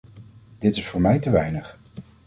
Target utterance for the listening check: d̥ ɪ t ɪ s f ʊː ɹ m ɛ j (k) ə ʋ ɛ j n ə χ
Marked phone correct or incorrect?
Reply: incorrect